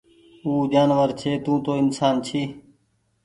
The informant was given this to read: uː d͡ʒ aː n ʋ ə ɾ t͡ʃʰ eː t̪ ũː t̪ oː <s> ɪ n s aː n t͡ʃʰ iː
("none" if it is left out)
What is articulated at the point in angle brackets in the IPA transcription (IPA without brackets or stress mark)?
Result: none